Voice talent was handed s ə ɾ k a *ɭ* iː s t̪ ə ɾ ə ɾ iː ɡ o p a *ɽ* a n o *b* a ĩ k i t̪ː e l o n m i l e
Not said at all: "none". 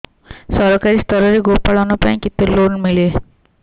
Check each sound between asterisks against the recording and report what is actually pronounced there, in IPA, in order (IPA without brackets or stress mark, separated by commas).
ɾ, ɭ, p